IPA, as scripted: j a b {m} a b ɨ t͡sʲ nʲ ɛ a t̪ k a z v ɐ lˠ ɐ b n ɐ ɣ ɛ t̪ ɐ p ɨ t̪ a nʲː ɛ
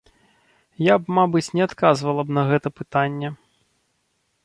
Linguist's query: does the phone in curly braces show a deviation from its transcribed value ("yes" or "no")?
no